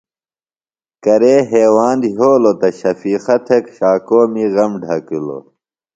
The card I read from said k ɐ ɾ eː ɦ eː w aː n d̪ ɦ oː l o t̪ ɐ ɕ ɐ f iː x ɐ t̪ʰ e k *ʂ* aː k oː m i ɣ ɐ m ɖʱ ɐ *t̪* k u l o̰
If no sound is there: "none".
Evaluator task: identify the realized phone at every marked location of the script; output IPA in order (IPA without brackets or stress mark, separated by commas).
ɕ, none